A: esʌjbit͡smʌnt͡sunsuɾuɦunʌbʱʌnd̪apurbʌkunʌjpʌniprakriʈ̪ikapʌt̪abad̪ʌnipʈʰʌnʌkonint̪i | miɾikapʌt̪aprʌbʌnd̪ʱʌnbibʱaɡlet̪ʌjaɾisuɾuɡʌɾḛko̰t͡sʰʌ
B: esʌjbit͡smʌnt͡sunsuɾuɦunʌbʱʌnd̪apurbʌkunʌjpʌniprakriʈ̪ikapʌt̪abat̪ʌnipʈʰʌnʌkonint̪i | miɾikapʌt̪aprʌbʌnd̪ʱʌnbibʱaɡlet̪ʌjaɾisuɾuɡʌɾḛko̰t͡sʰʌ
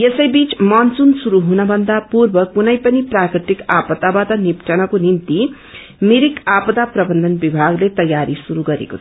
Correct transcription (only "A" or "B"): B